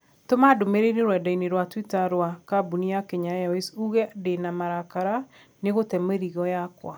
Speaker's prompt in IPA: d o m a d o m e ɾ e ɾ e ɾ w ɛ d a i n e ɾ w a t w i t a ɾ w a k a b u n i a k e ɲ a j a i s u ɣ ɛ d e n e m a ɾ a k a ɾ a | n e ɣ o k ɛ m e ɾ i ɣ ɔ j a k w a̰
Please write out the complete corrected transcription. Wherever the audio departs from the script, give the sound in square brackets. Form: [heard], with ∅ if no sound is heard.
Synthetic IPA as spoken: [t] o m a d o m e ɾ e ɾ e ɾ w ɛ d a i n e ɾ w a t w i t a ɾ w a k a b u n i a k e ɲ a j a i s u ɣ ɛ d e n [a] m a ɾ a k a ɾ a | n e ɣ o [t] ɛ m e ɾ i ɣ ɔ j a k w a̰